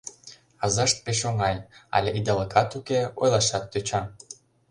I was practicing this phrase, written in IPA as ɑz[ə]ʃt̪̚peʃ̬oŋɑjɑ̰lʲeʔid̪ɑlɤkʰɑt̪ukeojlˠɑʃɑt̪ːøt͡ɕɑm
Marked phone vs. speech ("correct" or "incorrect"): incorrect